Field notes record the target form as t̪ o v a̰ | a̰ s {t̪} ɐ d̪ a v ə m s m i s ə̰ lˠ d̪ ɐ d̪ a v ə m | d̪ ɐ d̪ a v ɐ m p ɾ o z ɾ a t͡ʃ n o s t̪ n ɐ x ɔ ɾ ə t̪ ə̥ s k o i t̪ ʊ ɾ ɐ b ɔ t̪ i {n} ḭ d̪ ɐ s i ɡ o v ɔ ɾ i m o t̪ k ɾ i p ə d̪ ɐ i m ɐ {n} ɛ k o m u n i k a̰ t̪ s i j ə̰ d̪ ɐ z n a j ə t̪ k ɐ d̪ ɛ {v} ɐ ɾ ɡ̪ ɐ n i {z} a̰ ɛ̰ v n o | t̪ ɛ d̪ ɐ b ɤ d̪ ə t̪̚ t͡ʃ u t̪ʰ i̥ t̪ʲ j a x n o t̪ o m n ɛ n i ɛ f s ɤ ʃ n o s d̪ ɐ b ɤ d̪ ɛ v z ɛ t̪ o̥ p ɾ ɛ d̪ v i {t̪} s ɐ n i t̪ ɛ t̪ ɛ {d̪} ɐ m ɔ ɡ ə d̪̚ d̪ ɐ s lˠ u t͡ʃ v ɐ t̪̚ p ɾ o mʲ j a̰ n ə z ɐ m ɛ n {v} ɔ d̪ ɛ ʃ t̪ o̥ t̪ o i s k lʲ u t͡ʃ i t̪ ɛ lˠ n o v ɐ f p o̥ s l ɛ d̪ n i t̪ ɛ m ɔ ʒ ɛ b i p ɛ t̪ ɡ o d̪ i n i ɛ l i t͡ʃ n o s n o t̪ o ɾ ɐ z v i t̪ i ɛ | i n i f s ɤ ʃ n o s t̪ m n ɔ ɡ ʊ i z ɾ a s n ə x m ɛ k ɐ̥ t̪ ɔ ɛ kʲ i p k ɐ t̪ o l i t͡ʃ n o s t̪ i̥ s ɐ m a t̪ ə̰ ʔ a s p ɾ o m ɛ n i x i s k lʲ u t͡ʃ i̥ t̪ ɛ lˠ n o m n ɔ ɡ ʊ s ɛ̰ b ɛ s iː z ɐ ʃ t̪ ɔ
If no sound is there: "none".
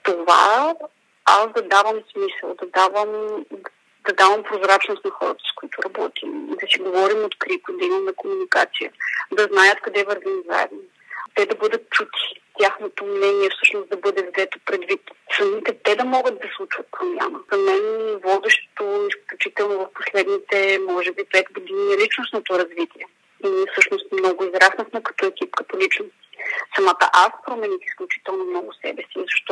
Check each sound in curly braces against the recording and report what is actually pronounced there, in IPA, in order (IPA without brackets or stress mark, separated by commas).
d̪, m, m, v, z, t̪, d̪, v